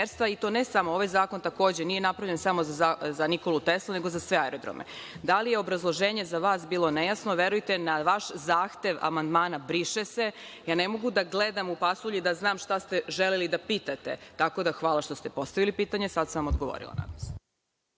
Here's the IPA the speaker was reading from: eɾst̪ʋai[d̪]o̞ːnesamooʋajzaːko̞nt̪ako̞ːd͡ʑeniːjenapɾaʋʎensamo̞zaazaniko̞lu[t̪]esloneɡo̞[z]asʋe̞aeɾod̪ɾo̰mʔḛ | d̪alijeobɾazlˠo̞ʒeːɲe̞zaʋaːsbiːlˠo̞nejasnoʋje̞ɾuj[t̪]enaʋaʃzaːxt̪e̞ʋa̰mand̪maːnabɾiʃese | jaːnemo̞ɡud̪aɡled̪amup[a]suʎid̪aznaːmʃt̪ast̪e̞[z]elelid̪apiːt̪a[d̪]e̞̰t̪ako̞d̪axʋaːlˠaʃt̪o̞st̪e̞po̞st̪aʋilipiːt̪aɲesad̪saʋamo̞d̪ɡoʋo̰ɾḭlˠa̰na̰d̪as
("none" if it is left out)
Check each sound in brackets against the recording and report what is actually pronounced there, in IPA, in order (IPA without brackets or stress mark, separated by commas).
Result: t̪, t̪, z, t̪, a, ʒ, t̪